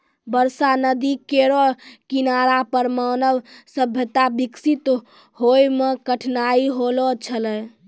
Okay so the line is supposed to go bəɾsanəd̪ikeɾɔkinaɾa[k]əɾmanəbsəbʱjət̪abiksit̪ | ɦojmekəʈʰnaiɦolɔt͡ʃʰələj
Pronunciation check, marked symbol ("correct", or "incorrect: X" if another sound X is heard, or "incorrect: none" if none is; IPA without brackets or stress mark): incorrect: p